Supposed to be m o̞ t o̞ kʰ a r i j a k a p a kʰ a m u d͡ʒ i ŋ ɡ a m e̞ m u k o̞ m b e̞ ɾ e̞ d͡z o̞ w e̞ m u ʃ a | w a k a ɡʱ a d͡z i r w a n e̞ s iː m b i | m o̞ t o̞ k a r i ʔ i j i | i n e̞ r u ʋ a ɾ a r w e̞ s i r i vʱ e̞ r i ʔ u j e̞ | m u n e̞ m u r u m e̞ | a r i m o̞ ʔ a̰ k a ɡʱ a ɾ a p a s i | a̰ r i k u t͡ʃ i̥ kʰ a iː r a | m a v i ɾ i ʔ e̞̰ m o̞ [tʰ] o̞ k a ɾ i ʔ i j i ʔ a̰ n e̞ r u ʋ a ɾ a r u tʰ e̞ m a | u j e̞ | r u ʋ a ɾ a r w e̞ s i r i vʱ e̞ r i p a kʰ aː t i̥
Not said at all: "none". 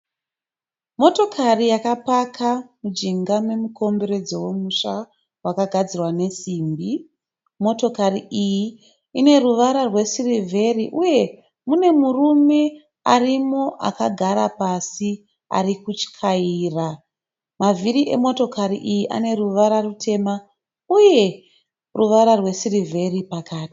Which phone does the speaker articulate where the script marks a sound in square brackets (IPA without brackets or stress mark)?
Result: t